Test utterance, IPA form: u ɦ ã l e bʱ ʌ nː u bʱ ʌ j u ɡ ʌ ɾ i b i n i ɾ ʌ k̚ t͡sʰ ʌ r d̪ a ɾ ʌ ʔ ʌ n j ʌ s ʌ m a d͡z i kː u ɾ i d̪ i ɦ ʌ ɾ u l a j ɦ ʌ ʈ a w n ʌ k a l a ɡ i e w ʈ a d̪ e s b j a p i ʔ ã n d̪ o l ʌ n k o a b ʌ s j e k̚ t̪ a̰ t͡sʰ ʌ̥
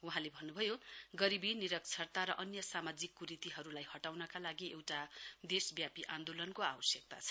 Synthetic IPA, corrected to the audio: u ɦ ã l e bʱ ʌ nː u bʱ ʌ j o ɡ ʌ ɾ i b i n i ɾ ʌ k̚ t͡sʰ ʌ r t̪ a ɾ ʌ ʔ ʌ n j ʌ s a m a d͡z i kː u ɾ i t̪ i ɦ ʌ ɾ u l a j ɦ ʌ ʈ a w n ʌ k a l a ɡ i e w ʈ a d̪ e s b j a p i ʔ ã n d̪ o l ʌ n k o a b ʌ s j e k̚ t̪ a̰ t͡sʰ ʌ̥